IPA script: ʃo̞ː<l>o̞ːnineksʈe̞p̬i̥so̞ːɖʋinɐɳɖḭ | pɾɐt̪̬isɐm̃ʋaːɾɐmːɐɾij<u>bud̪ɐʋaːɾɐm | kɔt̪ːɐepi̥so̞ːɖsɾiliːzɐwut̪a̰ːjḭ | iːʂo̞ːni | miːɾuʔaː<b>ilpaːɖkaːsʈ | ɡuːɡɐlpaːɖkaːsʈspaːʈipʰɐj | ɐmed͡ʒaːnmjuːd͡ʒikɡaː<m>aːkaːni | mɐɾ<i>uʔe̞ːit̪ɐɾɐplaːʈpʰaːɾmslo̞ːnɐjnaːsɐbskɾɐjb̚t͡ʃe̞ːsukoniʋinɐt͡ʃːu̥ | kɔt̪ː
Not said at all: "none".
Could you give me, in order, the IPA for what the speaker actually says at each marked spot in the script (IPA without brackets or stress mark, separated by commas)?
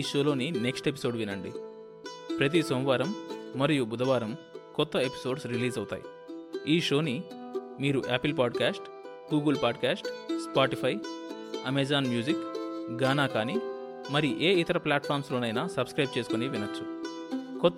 l, u, p, n, i